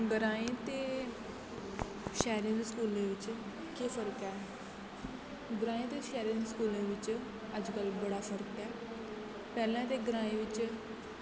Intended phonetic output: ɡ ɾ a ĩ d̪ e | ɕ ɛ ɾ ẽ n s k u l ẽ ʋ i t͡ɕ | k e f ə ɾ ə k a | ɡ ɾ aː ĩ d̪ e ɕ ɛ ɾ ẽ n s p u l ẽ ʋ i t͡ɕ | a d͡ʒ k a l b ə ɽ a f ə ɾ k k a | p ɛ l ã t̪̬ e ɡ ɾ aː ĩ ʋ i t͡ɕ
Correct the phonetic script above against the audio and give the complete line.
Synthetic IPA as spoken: ɡ ɾ a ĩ t̪ e | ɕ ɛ ɾ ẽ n s k u l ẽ ʋ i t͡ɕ | k e f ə ɾ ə k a | ɡ ɾ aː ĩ t̪ e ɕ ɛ ɾ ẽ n s k u l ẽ ʋ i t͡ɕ | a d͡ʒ k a l b ə ɽ a f ə ɾ k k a | p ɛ l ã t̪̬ e ɡ ɾ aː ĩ ʋ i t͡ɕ